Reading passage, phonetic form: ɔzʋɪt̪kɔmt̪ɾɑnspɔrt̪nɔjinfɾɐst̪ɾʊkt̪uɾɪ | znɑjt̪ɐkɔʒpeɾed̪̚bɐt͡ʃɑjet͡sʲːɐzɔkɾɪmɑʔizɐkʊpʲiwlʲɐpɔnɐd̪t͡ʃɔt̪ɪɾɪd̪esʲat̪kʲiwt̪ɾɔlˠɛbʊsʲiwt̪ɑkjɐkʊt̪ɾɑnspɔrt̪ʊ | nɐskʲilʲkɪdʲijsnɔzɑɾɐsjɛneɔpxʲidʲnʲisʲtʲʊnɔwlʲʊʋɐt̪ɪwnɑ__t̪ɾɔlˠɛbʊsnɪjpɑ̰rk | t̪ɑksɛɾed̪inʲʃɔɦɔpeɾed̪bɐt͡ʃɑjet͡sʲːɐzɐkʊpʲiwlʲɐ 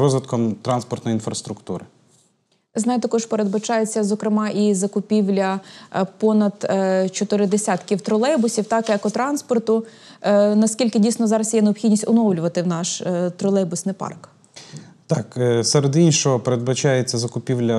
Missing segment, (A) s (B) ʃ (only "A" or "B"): B